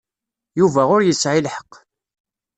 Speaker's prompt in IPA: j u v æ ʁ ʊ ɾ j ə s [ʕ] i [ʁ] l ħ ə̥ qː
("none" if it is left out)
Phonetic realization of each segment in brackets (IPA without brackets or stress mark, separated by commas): ʕ, none